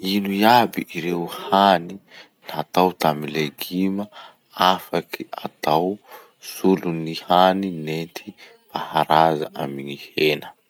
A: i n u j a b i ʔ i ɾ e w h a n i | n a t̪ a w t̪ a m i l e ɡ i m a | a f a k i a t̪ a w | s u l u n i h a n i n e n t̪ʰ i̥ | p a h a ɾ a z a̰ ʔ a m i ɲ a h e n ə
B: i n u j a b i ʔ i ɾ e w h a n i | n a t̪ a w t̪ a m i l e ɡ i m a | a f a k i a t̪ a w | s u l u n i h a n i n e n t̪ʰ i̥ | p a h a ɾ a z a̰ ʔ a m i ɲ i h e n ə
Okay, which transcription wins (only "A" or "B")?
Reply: B